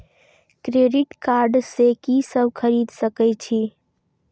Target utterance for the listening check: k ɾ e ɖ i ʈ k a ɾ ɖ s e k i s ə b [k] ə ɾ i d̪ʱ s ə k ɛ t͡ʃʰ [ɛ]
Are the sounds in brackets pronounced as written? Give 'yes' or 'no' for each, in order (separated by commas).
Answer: no, no